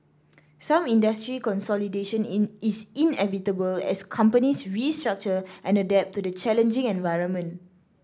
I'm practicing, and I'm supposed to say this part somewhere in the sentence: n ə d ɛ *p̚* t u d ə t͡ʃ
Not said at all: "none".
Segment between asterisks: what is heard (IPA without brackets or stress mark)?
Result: p̚